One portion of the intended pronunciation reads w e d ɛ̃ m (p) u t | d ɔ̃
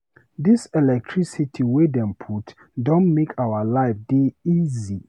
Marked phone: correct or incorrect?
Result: incorrect: pʰ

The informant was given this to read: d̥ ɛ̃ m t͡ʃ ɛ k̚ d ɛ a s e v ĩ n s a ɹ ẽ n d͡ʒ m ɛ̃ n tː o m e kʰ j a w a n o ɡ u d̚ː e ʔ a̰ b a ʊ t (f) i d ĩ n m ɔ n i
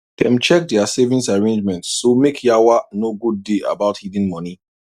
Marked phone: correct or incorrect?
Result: incorrect: h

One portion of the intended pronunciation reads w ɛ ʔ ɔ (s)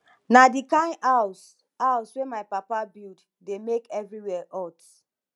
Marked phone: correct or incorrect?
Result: incorrect: t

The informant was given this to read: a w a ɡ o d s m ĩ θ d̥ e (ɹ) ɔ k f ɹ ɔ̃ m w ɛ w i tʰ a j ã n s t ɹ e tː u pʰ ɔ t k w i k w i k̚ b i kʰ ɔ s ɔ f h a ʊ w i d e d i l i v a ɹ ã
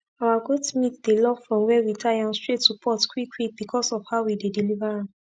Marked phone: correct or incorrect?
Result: incorrect: l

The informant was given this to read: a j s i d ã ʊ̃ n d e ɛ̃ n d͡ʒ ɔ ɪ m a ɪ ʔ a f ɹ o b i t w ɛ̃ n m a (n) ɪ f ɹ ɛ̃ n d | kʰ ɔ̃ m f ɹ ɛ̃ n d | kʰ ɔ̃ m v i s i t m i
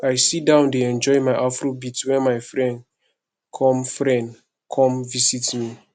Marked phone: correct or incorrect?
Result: incorrect: none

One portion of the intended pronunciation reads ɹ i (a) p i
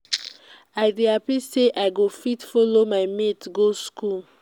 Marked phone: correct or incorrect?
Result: correct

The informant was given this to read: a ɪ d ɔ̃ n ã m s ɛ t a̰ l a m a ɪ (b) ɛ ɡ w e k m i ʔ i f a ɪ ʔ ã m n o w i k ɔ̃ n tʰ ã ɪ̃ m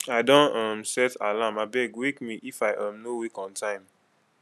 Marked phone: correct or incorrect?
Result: correct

